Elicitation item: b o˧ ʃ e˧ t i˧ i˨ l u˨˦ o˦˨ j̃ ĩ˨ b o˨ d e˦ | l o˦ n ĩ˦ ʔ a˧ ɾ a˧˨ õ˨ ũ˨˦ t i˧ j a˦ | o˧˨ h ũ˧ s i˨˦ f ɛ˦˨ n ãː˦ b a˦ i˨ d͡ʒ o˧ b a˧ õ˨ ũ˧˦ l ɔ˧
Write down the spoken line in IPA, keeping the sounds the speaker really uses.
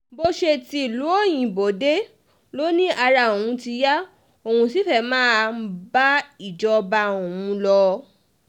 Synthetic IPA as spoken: b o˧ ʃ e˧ t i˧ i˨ l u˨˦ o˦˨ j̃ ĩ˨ b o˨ d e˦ | l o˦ n ĩ˦ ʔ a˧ ɾ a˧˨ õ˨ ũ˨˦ t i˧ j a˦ | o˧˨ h ũ˧ s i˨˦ f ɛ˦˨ m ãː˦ b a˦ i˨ d͡ʒ ɔ˧ b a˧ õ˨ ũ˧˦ l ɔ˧